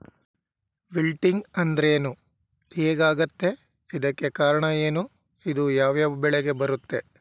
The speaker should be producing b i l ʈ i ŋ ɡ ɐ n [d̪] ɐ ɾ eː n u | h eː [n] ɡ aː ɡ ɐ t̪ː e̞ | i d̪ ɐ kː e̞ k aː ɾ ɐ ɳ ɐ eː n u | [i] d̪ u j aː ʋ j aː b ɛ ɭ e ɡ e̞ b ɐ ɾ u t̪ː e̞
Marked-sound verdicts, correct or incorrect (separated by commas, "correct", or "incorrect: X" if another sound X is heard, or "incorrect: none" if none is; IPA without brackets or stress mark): correct, incorrect: none, correct